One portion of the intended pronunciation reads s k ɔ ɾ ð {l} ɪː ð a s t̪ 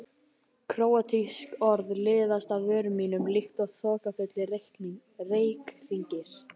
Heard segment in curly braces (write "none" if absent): l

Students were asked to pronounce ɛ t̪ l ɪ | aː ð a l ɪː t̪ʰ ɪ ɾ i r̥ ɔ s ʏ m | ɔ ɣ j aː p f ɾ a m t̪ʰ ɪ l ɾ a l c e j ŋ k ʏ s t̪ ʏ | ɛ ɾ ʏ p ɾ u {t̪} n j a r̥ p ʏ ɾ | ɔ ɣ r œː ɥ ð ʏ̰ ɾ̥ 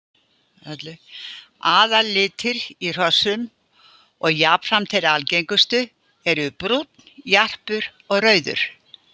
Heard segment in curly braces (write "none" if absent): t̪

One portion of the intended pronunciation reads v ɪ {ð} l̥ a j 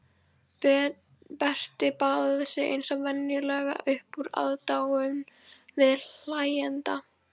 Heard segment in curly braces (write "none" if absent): ð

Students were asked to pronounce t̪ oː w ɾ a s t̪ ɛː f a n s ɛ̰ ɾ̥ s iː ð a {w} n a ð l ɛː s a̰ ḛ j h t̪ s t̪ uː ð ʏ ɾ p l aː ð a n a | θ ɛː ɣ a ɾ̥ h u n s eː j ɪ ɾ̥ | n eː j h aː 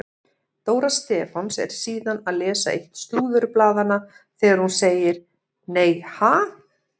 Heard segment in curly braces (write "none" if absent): none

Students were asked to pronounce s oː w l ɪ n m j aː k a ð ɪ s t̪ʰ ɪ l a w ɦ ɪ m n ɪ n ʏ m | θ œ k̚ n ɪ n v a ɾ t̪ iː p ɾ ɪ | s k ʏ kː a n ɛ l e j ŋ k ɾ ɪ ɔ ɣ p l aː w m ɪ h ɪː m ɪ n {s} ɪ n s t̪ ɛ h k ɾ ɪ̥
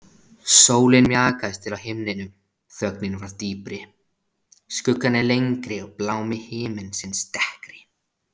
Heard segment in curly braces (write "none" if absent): s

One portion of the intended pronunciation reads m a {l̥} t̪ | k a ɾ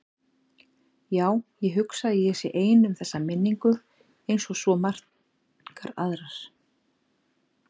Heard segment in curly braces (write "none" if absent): r̥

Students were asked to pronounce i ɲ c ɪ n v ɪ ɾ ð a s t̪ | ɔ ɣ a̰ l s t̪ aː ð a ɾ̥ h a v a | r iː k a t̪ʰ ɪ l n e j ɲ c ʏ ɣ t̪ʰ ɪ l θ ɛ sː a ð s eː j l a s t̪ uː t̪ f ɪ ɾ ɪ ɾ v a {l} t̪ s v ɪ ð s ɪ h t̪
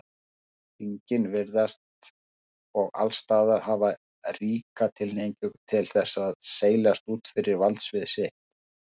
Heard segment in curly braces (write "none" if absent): l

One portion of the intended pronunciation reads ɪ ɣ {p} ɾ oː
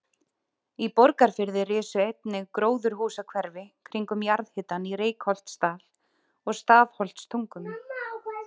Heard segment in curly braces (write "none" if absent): k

